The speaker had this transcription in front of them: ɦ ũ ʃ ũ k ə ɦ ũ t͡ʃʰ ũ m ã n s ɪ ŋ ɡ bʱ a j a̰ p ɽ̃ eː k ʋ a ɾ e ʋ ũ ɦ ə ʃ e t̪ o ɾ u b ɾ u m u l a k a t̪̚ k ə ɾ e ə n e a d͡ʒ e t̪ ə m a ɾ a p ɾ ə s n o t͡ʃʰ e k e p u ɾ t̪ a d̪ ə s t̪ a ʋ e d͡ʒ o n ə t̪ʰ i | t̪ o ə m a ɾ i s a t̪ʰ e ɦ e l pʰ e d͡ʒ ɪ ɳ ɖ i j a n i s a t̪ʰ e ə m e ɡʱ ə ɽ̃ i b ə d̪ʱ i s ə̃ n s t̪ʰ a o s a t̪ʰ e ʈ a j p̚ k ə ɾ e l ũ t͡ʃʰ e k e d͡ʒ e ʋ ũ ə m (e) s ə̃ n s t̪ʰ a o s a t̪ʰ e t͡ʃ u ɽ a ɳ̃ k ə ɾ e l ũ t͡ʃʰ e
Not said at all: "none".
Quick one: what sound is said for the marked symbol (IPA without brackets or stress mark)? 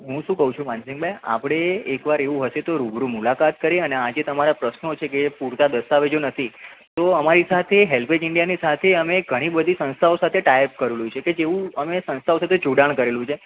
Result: e